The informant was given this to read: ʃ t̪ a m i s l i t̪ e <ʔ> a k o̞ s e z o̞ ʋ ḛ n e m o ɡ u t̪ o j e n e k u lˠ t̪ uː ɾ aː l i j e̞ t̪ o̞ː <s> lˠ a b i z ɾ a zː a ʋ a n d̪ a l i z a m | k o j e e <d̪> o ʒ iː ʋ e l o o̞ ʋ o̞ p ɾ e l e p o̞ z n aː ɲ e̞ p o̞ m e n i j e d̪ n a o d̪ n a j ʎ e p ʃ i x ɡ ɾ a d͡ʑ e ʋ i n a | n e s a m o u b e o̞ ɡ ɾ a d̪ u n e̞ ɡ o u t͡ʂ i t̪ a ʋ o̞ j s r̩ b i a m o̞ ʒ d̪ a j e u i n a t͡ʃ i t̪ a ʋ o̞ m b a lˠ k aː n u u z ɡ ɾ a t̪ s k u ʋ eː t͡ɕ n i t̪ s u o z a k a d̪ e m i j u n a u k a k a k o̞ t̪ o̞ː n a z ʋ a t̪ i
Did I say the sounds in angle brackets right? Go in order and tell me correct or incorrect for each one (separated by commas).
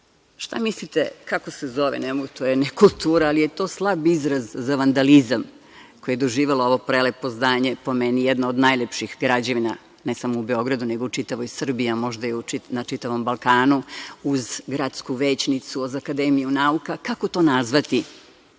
incorrect, correct, correct